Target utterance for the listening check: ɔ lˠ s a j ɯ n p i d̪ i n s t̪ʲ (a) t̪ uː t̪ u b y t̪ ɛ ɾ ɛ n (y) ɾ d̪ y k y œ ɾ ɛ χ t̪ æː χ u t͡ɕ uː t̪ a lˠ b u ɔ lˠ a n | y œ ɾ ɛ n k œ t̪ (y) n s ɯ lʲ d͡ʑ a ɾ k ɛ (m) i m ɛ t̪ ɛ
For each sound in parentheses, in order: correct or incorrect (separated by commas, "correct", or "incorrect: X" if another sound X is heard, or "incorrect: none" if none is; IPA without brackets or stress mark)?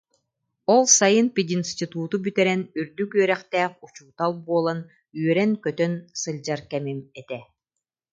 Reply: incorrect: i, correct, incorrect: œ, correct